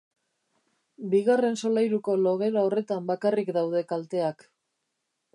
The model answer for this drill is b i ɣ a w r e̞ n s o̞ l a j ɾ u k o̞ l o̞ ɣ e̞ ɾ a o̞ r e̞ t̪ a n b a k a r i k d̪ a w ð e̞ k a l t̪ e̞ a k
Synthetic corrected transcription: b i ɣ a r e̞ n s o̞ l a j ɾ u k o̞ l o̞ ɣ e̞ ɾ a o̞ r e̞ t̪ a m b a k a r i k d̪ a w ð e̞ k a l t̪ e̞ a k